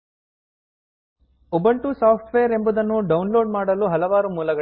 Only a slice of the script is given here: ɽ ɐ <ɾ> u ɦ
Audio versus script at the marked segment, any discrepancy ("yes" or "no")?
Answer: yes